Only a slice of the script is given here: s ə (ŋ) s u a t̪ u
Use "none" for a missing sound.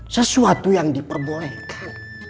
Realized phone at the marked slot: none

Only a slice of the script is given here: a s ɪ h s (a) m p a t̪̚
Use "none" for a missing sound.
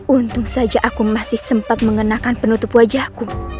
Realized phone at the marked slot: ə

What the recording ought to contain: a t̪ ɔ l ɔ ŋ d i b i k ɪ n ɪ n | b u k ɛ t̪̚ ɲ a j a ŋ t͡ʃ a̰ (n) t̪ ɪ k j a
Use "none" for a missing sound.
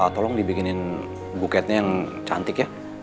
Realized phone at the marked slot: n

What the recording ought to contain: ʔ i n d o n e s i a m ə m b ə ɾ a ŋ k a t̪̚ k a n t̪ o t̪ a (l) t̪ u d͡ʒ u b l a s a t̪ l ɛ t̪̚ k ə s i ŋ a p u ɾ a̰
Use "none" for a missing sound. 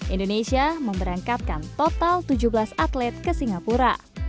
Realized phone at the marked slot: l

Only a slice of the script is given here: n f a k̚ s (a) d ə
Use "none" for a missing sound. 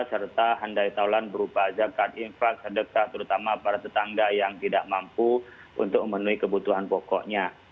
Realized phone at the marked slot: ə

